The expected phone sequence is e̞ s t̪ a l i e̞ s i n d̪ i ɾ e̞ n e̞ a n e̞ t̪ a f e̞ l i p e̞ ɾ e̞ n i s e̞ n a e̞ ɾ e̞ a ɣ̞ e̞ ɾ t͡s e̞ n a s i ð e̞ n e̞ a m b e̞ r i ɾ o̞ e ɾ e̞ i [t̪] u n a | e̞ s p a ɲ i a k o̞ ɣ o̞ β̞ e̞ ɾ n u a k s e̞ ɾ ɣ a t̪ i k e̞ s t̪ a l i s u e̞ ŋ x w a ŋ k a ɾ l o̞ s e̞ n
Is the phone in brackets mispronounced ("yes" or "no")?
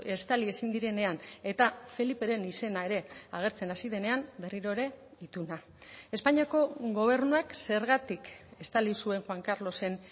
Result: no